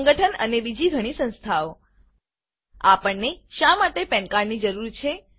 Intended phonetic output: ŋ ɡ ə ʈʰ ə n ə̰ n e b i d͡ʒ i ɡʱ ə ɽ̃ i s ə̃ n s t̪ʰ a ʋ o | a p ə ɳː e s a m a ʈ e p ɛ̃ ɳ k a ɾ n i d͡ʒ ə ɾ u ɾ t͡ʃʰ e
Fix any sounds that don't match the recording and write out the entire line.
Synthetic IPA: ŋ ɡ ə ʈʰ ə n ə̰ n e b i d͡ʒ i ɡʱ ə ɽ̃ i s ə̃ n s t̪ʰ a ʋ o | a p ə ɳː e ʃ a m a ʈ e p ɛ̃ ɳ k a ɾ n i d͡ʒ ə ɾ u ɾ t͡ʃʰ e